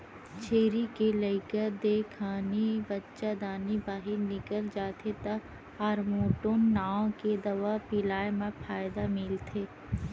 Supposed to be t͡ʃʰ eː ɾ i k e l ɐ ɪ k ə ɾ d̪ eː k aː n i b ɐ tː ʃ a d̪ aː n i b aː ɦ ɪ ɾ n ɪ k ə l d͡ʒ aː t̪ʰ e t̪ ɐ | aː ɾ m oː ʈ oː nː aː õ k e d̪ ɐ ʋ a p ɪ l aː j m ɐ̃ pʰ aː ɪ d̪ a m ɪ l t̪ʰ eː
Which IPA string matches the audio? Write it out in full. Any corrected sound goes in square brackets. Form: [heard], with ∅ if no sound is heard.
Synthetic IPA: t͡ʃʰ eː ɾ i k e l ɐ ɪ k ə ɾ d̪ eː [kʰ] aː n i b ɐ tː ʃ a d̪ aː n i b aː ɦ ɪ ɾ n ɪ k ə l d͡ʒ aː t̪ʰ e t̪ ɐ | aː ɾ m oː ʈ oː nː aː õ k e d̪ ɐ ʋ a p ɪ l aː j m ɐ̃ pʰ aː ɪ d̪ a m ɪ l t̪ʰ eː